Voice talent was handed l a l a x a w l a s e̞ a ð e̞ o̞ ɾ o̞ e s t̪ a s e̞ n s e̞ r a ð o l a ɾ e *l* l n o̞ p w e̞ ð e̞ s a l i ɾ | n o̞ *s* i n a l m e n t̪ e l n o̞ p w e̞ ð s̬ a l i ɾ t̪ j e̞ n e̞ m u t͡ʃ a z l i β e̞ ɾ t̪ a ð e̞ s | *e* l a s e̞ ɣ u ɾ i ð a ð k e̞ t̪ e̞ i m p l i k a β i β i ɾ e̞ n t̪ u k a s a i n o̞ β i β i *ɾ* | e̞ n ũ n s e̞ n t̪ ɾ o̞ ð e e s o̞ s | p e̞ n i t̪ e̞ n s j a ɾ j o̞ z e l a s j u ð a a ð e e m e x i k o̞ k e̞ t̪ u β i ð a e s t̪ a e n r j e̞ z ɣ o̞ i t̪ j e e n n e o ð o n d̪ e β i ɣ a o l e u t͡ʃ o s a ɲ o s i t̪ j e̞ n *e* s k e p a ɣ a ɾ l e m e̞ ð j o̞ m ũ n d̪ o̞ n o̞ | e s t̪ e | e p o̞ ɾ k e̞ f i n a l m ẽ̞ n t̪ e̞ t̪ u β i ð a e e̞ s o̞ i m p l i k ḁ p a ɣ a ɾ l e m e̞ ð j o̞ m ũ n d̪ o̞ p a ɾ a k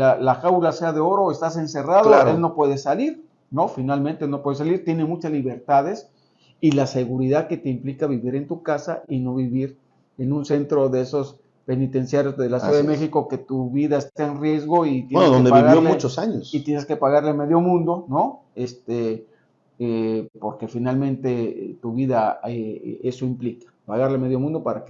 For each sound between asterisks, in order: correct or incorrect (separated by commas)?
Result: correct, incorrect, incorrect, correct, correct